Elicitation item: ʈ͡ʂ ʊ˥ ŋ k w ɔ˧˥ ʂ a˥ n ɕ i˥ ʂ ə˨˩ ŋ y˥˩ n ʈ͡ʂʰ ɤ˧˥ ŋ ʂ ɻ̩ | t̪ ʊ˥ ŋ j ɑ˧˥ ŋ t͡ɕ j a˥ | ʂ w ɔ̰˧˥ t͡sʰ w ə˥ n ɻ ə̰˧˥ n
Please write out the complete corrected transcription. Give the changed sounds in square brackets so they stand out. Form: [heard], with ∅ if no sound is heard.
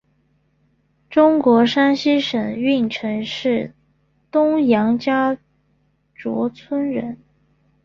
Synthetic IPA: ʈ͡ʂ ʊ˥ ŋ k w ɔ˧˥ ʂ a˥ n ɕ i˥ ʂ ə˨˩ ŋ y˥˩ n ʈ͡ʂʰ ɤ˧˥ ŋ ʂ ɻ̩ | t̪ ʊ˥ ŋ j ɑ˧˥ ŋ t͡ɕ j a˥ | [ʈ͡ʂ] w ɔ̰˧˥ t͡sʰ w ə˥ n ɻ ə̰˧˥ n